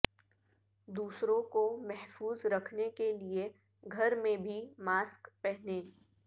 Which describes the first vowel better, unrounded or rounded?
rounded